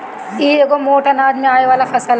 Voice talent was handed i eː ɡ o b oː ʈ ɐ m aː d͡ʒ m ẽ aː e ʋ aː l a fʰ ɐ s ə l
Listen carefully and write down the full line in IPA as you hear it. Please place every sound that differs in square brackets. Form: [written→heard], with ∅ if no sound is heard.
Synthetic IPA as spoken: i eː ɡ o [b→m] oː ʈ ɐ [m→n] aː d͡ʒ m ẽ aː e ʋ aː l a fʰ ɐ s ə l